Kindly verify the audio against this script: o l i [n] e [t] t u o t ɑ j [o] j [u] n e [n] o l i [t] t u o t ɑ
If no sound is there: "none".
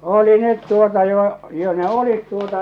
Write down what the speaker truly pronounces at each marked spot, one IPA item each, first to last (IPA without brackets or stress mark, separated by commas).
n, t, o, o, none, t